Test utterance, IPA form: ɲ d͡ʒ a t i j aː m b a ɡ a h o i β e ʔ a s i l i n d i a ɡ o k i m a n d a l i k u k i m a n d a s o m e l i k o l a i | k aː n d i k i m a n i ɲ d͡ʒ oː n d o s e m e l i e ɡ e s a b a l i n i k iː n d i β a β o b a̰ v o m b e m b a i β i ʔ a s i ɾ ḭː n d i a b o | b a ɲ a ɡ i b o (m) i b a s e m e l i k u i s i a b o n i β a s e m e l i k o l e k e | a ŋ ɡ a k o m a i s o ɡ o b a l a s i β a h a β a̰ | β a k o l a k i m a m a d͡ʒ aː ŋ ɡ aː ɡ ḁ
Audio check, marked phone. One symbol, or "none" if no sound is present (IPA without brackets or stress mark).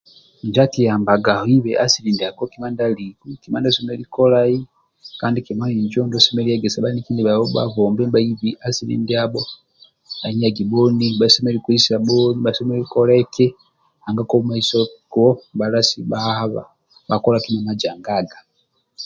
n